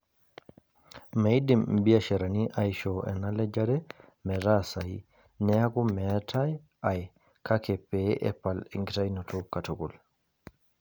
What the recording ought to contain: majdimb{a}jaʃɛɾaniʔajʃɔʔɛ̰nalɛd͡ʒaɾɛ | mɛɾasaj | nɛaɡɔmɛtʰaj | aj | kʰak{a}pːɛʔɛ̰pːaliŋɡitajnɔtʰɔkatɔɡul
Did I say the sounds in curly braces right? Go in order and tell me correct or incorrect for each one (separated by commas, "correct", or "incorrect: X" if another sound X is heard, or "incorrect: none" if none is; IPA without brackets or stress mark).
incorrect: i, incorrect: ɛ